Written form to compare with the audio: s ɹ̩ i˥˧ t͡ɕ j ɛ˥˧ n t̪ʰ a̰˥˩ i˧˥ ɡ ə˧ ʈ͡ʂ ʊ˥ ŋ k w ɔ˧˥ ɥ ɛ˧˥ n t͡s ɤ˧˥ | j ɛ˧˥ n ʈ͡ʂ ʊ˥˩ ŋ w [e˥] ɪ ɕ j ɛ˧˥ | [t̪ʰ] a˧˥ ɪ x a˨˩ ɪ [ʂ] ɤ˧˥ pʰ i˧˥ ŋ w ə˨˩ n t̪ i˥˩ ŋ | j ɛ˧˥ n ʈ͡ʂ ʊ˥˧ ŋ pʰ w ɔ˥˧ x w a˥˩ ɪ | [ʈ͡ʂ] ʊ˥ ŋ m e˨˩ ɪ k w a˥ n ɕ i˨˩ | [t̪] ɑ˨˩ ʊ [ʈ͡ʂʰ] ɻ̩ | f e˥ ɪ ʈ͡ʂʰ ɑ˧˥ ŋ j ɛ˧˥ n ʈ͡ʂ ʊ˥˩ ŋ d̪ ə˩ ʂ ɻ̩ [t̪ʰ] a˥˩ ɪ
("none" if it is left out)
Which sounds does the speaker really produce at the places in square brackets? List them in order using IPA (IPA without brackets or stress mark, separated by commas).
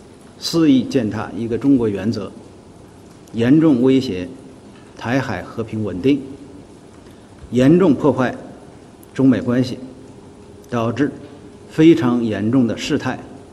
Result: e˥, t̪ʰ, x, ʈ͡ʂ, t̪, ʈ͡ʂ, t̪ʰ